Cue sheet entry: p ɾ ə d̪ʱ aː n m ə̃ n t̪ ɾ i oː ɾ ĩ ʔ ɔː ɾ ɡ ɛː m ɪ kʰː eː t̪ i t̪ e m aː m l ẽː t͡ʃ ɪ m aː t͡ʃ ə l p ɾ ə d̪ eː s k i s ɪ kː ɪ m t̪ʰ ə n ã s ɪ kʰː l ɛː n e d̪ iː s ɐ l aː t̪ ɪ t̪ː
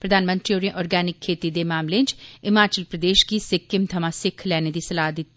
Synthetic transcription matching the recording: p ɾ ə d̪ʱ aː n m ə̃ n t̪ ɾ i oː ɾ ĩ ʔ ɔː ɾ ɡ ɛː n ɪ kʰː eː t̪ i d̪ e m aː m l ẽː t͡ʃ ɪ m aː t͡ʃ ə l p ɾ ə d̪ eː ʃ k i s ɪ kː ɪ m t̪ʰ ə m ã s ɪ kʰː l ɛː n e d̪ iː s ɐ l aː d̪ ɪ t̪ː